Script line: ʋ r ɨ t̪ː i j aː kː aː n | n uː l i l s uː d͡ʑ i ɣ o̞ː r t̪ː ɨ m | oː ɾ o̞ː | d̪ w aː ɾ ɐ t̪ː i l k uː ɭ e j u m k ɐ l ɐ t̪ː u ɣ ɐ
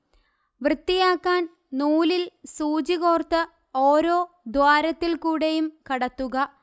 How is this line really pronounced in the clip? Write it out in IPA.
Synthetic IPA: ʋ r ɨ t̪ː i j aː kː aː n | n uː l i l s uː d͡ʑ i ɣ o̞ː r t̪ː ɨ | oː ɾ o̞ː | d̪ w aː ɾ ɐ t̪ː i l k uː ɽ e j u m k ɐ ɽ ɐ t̪ː u ɣ ɐ